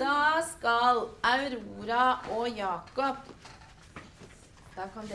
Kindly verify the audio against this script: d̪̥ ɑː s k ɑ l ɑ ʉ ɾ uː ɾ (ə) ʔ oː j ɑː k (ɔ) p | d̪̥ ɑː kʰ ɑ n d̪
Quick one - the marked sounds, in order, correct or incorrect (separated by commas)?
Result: incorrect, correct